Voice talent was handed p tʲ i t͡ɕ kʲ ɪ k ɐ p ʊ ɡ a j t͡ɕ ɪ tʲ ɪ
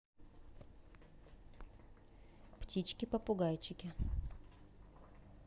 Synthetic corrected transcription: p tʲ i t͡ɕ kʲ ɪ p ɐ p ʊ ɡ a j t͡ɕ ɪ kʲ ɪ